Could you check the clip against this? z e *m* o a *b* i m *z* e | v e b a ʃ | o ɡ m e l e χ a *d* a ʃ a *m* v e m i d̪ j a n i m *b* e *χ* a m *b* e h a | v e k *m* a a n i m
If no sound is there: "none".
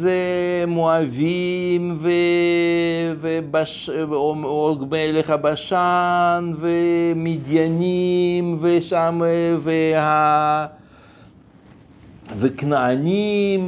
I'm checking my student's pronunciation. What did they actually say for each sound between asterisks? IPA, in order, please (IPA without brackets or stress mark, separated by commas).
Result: m, v, v, b, n, v, ʃ, v, n